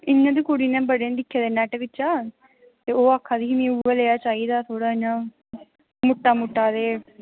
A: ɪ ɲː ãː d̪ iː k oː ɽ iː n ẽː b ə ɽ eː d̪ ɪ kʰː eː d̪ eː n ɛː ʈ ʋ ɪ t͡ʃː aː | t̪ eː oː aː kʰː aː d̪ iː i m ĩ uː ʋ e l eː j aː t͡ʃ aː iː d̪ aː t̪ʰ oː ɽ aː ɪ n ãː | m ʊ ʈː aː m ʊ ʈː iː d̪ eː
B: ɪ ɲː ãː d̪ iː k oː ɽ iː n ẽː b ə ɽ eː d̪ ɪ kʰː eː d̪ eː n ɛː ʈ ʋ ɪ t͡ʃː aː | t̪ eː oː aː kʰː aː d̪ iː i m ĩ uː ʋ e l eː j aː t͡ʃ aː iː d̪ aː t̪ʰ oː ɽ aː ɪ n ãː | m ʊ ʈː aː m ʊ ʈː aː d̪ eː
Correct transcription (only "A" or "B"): B